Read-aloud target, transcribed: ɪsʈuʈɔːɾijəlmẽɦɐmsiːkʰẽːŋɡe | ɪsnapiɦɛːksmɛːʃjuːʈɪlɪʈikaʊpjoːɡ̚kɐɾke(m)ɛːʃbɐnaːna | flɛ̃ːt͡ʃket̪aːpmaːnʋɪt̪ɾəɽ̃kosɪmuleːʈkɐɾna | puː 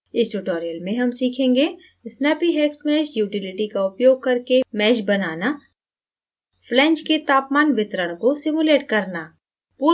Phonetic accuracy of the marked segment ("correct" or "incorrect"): correct